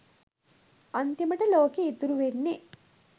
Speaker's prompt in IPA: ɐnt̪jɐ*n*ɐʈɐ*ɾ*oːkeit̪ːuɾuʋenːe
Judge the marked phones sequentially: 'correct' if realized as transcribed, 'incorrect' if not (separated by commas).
incorrect, incorrect